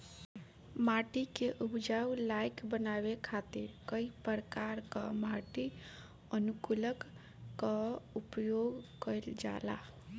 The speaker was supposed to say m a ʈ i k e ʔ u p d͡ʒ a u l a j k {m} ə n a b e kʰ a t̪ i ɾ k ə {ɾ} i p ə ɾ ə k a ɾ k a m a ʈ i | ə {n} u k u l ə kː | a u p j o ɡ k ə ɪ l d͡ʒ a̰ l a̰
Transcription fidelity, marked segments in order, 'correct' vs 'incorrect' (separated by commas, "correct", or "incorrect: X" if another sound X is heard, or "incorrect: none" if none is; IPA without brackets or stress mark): incorrect: b, incorrect: none, correct